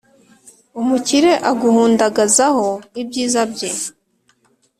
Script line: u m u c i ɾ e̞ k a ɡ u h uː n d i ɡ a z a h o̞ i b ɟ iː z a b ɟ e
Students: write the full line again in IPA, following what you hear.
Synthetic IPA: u m u c i ɾ e̞ ʔ a ɡ u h uː n d a ɡ a z a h o̞ i b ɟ iː z a b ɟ e

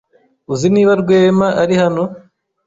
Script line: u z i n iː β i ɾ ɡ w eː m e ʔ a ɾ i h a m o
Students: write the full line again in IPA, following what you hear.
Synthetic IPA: u z i n iː β a ɾ ɡ w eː m a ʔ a ɾ i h a n o

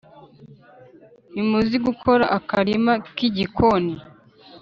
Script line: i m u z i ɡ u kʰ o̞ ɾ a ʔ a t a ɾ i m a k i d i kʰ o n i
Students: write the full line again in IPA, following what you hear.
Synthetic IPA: i m u z i ɡ u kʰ o̞ ɾ a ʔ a k a ɾ i m a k i ɟ i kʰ o n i

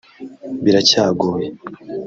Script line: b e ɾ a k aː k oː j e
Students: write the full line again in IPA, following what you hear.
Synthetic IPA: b i ɾ a c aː ɡ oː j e

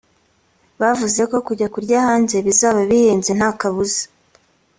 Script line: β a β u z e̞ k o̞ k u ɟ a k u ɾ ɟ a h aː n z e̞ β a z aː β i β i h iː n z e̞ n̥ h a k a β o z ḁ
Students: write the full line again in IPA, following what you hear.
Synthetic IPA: β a v u z e̞ k o̞ k u ɟ a k u ɾ ɟ a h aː n z e̞ β i z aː β a β i h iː n z e̞ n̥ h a k a β u z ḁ

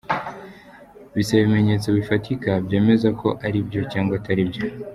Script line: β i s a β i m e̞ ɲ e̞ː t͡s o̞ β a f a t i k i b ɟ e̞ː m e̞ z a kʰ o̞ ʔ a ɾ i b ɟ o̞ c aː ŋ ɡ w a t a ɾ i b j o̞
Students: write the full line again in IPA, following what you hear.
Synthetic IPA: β i s a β i m e̞ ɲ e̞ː t͡s o̞ β i f a t i k a b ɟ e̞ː m e̞ z a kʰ o̞ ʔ a ɾ i b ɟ o̞ c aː ŋ ɡ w a t a ɾ i b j o̞

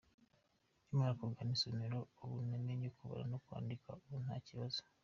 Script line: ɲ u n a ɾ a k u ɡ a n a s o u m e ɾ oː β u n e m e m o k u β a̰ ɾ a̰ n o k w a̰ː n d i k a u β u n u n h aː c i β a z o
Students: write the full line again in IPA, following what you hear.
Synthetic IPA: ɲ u m a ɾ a k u ɡ a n i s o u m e ɾ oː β u n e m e ɲ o k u β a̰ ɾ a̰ n o k w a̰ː n d i k a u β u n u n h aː c i β a z o

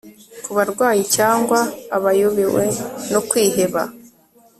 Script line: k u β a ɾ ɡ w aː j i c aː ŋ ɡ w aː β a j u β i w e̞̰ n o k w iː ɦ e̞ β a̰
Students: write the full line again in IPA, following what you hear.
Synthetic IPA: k u β a ɾ ɡ w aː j i c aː ŋ ɡ w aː β a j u β i w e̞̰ n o k w iː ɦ e̞ β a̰

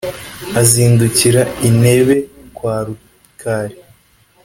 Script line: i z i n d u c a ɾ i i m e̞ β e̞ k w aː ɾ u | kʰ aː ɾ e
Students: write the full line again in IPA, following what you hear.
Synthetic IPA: a z iː n d u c i ɾ a i n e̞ β e̞ k w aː ɾ u | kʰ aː ɾ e

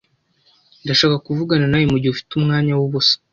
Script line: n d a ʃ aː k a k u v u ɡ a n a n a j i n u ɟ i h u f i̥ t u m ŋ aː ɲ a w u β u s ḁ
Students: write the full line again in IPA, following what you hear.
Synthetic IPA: n d a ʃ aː k a k u v u ɡ a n a n a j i m u ɟ i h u f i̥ t u m ŋ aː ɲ a w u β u s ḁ

